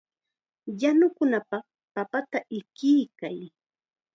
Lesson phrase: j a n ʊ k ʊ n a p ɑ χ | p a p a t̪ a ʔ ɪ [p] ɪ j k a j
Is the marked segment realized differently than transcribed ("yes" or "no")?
yes